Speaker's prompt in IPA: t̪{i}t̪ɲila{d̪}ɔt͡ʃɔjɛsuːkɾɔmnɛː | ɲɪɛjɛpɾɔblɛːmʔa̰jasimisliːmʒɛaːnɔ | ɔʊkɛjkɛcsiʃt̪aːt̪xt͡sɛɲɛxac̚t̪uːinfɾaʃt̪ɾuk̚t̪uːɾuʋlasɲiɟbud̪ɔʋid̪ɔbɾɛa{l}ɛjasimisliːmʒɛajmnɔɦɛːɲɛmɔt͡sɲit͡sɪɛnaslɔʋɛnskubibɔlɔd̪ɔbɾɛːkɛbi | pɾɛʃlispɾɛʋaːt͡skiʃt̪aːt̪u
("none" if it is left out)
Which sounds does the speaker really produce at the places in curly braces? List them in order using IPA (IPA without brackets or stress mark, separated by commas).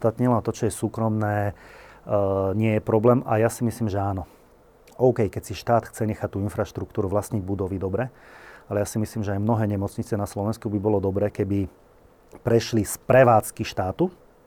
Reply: a, t̪, l